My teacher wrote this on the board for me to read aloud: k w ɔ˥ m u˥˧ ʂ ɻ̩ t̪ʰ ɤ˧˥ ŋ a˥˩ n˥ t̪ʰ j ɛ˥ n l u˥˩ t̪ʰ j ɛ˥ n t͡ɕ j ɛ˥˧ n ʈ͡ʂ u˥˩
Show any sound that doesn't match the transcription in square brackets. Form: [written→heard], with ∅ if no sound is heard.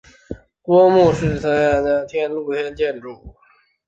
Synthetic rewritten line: k w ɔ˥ m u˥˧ ʂ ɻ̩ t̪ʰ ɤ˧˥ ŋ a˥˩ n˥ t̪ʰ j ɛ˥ n l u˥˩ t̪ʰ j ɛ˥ n t͡ɕ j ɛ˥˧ n ʈ͡ʂ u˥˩